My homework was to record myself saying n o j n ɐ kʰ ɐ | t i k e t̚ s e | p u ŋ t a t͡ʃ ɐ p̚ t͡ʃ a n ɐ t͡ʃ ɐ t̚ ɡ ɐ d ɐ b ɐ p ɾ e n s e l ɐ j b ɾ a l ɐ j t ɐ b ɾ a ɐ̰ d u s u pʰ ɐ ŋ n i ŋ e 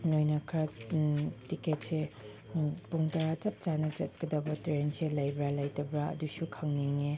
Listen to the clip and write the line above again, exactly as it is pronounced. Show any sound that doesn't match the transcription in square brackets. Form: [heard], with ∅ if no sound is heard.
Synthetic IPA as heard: n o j n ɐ kʰ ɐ | t i k e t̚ s e | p u ŋ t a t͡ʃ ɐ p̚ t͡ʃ a n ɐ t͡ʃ ɐ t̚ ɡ ɐ d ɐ b ɐ [t] ɾ e n s e l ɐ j b ɾ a l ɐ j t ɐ b ɾ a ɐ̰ d u s u [kʰ] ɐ ŋ n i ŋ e